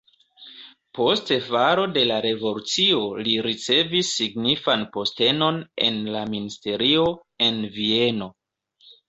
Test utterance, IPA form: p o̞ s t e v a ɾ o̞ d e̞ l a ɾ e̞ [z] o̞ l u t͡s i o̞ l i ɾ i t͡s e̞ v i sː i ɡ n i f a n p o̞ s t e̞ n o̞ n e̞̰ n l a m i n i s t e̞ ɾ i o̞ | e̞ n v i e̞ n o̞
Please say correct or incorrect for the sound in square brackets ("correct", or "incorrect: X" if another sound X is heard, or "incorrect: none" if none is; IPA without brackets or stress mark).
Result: incorrect: v